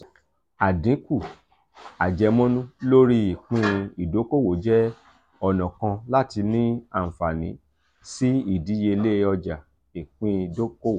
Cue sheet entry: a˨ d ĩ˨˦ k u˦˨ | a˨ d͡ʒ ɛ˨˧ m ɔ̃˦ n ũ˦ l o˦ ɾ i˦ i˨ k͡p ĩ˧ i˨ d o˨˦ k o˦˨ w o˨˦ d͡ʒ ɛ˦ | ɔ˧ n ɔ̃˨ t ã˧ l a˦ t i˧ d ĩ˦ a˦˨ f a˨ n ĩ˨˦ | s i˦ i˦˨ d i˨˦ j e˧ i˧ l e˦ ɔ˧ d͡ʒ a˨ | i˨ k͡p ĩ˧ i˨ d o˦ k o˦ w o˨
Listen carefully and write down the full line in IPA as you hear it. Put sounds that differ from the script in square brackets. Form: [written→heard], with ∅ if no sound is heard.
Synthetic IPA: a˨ d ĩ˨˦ k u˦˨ | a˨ d͡ʒ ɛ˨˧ m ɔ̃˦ n ũ˦ l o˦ ɾ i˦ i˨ k͡p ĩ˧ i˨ d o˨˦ k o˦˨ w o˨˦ d͡ʒ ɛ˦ | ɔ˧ n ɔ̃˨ [t→k] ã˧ l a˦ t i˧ [d→n] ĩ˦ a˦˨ f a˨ n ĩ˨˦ | s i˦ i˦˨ d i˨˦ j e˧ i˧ l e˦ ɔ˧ d͡ʒ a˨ | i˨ k͡p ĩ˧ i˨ d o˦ k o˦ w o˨